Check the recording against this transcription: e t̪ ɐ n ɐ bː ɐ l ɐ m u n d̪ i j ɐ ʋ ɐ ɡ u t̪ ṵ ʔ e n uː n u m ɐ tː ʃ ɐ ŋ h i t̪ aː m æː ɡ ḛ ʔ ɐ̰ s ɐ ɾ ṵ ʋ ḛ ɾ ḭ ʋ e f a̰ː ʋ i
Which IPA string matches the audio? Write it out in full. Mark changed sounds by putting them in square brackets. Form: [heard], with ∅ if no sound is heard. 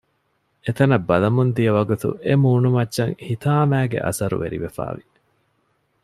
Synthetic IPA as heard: e t̪ ɐ n ɐ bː ɐ l ɐ m u n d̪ i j ɐ ʋ ɐ ɡ u t̪ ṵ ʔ e [m] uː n u m ɐ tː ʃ ɐ ŋ h i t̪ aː m æː ɡ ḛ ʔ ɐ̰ s ɐ ɾ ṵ ʋ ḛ ɾ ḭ ʋ e f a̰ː ʋ i